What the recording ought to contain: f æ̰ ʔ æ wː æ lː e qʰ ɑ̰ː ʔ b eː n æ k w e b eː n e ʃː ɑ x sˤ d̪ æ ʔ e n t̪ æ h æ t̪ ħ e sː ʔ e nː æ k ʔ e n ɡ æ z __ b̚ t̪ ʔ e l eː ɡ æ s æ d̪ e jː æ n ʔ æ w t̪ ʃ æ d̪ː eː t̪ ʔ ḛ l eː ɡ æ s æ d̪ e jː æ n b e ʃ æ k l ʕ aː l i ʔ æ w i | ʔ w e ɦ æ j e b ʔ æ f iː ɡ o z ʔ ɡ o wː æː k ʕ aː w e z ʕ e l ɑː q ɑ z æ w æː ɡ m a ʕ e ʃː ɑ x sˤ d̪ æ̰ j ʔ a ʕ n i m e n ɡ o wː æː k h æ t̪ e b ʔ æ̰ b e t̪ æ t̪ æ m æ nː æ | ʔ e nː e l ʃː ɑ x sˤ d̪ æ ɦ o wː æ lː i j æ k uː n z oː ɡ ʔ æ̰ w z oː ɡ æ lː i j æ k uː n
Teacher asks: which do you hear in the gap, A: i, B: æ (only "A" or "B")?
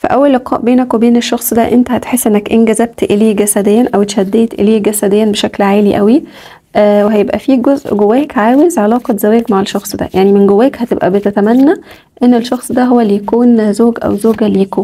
B